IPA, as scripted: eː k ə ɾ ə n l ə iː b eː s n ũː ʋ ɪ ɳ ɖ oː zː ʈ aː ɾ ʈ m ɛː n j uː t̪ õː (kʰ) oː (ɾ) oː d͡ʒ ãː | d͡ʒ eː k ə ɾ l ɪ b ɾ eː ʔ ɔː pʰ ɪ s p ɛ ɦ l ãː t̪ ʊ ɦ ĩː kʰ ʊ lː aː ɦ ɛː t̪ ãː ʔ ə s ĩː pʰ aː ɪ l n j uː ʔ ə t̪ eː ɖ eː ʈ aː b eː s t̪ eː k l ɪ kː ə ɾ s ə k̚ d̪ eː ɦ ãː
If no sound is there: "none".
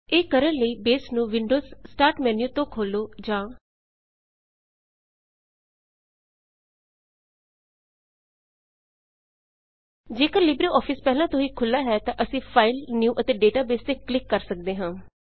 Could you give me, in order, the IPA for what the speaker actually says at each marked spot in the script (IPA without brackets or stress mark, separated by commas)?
kʰ, l